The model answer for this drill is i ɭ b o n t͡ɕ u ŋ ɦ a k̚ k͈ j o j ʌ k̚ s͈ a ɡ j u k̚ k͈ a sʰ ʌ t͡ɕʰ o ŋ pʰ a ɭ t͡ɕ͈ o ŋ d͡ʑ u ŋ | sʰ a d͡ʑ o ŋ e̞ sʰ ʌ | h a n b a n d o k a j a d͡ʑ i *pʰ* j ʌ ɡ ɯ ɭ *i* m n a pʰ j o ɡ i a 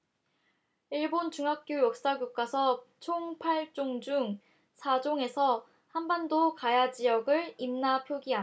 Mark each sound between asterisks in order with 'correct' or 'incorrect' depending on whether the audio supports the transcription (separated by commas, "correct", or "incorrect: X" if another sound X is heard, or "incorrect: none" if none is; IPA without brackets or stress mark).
incorrect: none, correct